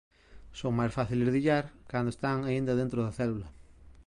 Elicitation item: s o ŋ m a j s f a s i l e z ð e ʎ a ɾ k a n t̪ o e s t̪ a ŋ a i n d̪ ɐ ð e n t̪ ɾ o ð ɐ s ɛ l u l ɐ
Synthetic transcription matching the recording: s o ŋ m a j s f a θ i l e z ð i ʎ a ɾ k a n d̪ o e s t̪ a ŋ a i n d̪ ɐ ð e n t̪ ɾ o ð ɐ θ ɛ l u l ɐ